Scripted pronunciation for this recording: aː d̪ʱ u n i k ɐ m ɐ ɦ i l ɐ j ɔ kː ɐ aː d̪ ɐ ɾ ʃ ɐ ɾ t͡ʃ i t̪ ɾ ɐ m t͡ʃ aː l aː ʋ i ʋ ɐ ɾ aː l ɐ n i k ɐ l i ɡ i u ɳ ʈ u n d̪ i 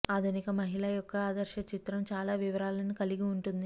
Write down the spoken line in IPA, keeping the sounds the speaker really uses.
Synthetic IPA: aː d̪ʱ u n i k ɐ m ɐ ɦ i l ɐ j ɔ kː ɐ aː d̪ ɐ ɾ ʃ ɐ t͡ʃ i t̪ ɾ ɐ m t͡ʃ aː l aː ʋ i ʋ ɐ ɾ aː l ɐ n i k ɐ l i ɡ i u ɳ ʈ u n d̪ i